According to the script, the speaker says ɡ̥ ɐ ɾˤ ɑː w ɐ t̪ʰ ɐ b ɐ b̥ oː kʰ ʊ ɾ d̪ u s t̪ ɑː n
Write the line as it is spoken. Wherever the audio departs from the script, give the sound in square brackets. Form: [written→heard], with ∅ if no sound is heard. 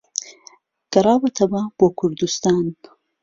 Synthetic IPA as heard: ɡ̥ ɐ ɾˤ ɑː w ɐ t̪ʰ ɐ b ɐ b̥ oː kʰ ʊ ɾ d̪ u s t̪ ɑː n